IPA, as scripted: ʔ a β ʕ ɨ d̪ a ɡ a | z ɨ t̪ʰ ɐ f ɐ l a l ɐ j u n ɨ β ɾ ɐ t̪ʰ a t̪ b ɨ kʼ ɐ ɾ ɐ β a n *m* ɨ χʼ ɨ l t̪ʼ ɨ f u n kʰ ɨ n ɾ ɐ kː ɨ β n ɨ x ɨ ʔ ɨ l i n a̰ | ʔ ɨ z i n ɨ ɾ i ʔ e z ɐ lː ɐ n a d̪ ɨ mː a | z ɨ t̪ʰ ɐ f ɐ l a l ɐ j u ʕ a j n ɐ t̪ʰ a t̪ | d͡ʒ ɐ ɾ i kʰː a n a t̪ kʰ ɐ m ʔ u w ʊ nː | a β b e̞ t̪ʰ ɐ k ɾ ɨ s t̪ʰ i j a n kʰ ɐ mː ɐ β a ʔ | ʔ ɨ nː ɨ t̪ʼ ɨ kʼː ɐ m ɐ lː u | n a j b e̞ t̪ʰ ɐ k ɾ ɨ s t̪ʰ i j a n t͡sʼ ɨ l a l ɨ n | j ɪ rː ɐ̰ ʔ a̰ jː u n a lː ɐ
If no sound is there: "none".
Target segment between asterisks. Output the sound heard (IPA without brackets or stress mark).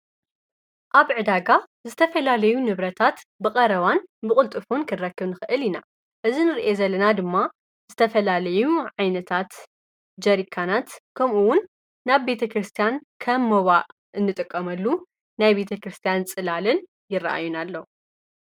b